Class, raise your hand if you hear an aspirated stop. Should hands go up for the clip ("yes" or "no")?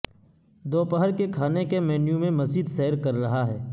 yes